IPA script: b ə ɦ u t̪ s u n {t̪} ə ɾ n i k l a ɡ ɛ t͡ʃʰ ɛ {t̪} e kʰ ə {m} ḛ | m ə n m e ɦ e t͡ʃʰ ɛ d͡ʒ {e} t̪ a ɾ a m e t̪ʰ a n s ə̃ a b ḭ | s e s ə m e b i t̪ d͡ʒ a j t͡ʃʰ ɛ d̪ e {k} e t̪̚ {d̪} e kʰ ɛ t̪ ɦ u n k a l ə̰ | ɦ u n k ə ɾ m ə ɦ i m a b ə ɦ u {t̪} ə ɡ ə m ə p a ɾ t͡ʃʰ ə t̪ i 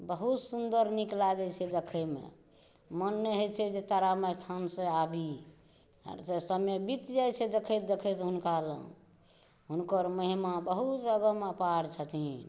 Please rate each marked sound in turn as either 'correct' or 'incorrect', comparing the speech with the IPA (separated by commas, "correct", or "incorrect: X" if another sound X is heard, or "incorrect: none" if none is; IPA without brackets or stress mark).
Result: incorrect: d̪, incorrect: d̪, correct, correct, incorrect: kʰ, correct, correct